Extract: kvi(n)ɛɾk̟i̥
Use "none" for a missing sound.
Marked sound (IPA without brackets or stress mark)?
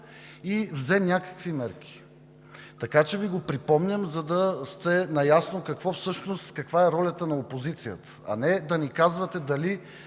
m